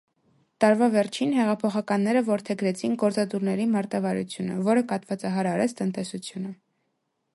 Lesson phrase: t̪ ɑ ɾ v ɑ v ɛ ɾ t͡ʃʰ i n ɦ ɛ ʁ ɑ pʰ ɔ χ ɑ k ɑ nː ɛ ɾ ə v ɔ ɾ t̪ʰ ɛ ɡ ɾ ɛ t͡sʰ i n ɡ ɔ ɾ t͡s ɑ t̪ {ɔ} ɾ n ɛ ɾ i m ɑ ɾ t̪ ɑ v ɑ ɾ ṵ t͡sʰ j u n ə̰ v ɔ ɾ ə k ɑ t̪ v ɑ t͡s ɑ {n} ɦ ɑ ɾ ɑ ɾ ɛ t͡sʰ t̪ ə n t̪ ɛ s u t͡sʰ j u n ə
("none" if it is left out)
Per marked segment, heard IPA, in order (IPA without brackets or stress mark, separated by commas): u, none